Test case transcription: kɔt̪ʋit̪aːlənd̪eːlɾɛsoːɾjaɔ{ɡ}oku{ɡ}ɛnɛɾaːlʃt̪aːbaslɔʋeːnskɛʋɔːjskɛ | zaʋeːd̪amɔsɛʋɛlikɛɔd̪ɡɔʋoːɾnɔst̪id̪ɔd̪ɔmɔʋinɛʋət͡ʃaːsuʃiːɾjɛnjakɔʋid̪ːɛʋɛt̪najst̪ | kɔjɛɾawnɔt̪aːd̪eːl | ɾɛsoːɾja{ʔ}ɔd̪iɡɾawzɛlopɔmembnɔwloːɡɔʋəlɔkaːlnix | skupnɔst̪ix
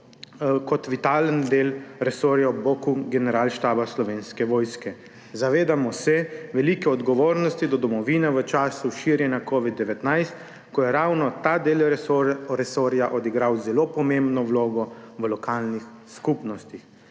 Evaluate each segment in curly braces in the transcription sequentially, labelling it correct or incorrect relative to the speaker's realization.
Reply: incorrect: b, correct, correct

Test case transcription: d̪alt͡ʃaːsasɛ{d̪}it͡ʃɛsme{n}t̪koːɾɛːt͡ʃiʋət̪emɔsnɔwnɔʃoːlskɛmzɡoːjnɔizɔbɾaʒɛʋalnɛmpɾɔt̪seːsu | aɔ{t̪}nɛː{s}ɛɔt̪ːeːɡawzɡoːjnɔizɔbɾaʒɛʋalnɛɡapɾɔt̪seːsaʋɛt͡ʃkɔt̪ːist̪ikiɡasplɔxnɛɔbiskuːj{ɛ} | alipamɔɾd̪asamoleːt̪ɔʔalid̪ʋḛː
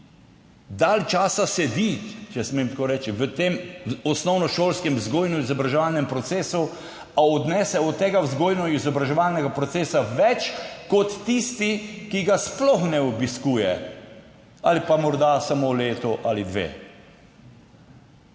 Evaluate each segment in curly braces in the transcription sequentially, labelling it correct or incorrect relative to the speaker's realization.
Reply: correct, incorrect: m, incorrect: d̪, correct, correct

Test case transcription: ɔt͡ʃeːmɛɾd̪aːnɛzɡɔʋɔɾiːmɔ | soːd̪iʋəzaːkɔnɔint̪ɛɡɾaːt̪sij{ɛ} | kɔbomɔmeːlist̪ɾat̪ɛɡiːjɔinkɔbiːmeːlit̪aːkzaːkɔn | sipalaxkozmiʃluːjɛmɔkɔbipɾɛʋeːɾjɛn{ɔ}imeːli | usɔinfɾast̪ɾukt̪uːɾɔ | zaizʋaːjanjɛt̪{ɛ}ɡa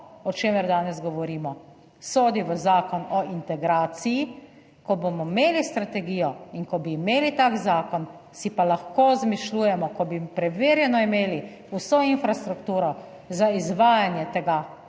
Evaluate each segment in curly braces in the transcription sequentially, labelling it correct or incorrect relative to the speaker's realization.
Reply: incorrect: i, correct, correct

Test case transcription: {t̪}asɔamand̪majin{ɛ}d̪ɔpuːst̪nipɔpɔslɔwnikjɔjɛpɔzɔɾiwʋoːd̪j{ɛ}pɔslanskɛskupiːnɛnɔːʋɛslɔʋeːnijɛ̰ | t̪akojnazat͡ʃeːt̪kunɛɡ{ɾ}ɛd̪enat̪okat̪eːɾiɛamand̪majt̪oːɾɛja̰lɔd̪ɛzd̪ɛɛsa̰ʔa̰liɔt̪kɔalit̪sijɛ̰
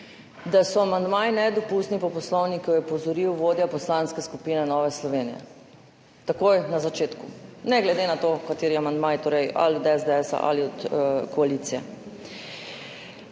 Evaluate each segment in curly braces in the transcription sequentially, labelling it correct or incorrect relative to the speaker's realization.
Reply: incorrect: d̪, correct, incorrect: a, incorrect: l

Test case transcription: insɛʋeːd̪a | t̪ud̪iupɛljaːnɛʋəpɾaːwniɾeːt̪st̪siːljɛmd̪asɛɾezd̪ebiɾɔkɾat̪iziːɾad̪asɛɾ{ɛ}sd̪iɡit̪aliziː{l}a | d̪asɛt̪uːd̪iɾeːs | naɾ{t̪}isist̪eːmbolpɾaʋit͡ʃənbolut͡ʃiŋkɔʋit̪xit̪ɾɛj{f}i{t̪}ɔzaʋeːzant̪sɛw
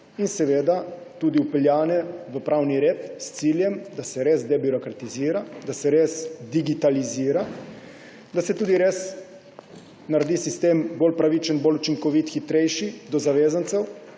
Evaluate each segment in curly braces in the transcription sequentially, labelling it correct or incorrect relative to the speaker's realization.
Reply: incorrect: e, incorrect: ɾ, incorrect: d̪, incorrect: ʃ, incorrect: d̪

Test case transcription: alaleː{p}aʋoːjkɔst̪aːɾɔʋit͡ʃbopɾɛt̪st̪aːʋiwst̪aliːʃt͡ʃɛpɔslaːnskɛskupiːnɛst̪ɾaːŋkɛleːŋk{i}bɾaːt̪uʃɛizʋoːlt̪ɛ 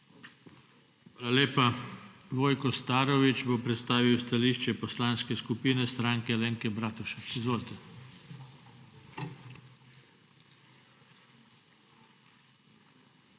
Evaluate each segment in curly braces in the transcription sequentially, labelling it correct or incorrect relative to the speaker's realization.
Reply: correct, incorrect: ɛ

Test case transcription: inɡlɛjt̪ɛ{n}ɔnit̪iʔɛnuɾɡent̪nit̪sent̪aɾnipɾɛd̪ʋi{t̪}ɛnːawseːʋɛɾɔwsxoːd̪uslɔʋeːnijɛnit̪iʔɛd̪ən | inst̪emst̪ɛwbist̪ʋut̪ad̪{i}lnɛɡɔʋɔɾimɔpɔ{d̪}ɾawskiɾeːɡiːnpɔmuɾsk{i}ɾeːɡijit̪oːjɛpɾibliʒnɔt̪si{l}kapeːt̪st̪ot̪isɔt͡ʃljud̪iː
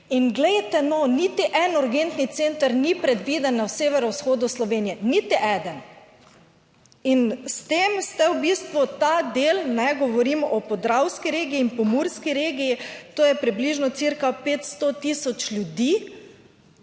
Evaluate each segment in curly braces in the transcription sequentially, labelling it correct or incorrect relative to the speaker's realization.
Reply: correct, incorrect: d̪, incorrect: e, correct, correct, incorrect: ɾ

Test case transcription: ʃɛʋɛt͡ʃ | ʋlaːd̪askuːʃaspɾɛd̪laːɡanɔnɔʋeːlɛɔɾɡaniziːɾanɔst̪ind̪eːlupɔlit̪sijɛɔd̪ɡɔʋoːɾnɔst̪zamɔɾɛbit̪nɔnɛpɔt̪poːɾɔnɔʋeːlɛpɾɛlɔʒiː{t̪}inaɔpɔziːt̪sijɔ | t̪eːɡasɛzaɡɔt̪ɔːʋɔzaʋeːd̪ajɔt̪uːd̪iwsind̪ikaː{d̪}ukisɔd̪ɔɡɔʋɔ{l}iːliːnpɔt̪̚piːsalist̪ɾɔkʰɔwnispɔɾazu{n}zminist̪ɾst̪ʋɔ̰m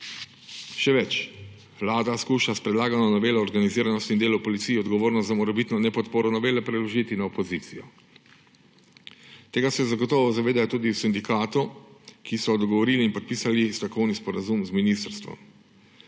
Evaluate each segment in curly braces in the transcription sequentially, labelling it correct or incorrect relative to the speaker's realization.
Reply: correct, incorrect: t̪, incorrect: ɾ, incorrect: m

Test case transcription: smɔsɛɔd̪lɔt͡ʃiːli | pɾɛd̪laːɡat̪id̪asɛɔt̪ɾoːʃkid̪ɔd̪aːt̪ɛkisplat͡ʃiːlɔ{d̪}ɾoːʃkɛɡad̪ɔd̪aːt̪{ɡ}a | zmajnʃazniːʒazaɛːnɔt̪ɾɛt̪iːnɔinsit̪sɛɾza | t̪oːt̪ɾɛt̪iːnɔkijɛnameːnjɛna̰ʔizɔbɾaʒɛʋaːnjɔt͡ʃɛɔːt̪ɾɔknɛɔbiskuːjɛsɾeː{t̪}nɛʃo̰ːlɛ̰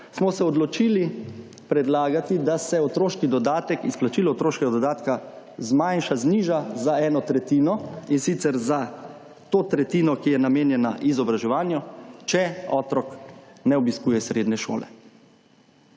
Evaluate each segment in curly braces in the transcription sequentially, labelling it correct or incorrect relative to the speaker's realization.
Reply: incorrect: t̪, incorrect: k, incorrect: d̪

